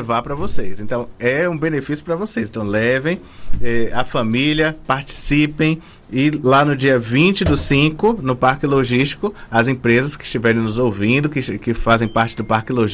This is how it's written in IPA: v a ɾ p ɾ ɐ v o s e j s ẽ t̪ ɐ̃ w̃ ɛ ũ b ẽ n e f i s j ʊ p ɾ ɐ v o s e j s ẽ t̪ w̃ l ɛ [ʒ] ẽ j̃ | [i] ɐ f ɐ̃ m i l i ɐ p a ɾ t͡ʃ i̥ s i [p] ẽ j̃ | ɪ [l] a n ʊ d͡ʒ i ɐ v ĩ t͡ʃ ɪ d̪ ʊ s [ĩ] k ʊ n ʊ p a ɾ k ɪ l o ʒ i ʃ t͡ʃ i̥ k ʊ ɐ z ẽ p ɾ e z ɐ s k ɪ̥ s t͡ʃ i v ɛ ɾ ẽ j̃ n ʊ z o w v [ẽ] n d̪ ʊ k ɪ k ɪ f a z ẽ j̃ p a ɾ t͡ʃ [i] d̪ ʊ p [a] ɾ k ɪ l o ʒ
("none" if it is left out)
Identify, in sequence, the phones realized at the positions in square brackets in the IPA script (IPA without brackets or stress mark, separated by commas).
v, ɛ, p, l, ĩ, ĩ, ɪ, a